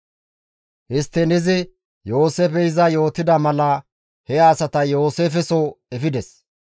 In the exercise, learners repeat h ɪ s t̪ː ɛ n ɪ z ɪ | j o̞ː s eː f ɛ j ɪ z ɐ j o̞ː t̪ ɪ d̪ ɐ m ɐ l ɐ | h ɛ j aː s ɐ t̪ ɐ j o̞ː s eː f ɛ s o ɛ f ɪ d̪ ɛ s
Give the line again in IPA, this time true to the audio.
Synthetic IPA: h ɪ s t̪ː ɛ n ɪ z ɪ | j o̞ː s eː f ɛ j ɪ z ɐ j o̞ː t̪ ɪ d̪ ɐ m ɐ l ɐ | h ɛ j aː s ɐ t̪ ɐ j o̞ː s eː f ɛ s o ɛ f ɪ d̪ ɛ s